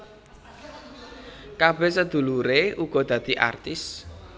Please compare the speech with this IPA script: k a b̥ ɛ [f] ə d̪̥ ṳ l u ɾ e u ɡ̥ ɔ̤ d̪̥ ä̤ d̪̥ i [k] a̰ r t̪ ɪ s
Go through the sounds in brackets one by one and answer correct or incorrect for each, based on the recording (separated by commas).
incorrect, incorrect